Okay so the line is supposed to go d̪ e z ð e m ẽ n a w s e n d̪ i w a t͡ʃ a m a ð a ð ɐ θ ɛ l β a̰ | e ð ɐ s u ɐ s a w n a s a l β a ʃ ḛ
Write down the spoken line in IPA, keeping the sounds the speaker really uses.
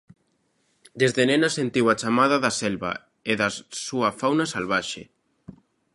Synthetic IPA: d̪ e z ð e n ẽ n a s e n t̪ i w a t͡ʃ a m a ð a ð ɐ s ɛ l β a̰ | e ð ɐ s u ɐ f a w n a s a l β a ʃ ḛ